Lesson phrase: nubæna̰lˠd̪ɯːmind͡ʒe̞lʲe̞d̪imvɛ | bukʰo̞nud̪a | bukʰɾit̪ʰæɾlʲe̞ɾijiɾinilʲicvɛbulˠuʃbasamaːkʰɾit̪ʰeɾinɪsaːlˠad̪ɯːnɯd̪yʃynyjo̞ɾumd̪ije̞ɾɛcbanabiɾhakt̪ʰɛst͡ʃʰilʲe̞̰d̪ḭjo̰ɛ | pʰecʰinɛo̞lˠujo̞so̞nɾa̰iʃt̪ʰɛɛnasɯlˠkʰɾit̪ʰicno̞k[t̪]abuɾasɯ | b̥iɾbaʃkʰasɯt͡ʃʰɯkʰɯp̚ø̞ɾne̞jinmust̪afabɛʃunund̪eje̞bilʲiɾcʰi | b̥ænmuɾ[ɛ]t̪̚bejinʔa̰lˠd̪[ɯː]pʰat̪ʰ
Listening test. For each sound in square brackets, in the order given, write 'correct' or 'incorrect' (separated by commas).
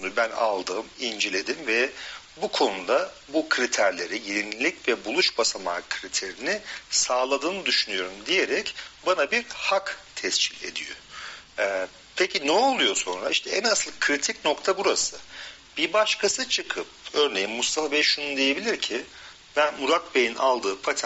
incorrect, incorrect, correct